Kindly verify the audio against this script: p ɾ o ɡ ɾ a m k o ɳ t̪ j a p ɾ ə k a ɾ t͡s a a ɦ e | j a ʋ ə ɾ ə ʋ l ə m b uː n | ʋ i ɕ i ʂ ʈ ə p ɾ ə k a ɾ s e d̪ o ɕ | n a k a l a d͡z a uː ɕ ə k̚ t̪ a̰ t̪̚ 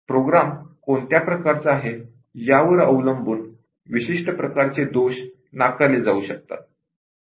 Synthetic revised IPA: p ɾ o ɡ ɾ a m k o ɳ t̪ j a p ɾ ə k a ɾ t͡s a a ɦ e | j a ʋ ə ɾ ə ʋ l ə m b uː n | ʋ i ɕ i ʂ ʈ ə p ɾ ə k a ɾ t͡s e d̪ o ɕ | n a k a l e d͡z a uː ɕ ə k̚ t̪ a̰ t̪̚